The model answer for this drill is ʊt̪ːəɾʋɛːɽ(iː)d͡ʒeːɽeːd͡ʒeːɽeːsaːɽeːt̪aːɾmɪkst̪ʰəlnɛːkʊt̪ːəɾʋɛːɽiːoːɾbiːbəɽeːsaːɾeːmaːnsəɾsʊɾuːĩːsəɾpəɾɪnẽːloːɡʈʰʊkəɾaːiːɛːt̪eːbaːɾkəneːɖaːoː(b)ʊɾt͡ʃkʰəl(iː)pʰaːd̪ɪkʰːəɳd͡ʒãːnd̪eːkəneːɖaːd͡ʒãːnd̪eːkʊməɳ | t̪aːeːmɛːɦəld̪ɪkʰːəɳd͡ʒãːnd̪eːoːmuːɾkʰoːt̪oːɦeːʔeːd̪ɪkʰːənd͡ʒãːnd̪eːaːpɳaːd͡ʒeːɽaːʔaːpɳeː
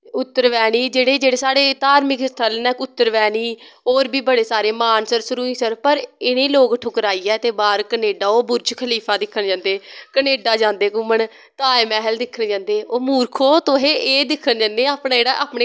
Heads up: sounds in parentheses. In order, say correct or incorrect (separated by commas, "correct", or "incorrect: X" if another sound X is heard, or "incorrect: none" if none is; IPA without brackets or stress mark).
correct, correct, correct